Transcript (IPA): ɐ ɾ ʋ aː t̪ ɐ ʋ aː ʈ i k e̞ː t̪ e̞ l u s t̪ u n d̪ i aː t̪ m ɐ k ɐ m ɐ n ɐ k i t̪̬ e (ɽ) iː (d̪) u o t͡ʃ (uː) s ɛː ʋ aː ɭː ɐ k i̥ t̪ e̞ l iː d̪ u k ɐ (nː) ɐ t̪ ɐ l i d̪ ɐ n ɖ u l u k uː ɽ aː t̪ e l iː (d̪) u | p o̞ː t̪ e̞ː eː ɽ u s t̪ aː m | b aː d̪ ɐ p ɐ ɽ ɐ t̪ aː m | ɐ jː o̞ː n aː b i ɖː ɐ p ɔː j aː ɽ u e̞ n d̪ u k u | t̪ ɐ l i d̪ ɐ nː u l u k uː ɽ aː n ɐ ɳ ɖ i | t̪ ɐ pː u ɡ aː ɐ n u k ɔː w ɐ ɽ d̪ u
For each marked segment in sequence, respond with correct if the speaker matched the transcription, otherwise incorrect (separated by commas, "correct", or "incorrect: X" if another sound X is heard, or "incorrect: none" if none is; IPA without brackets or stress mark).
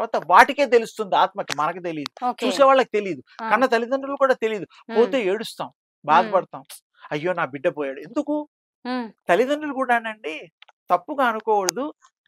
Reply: incorrect: l, correct, correct, correct, correct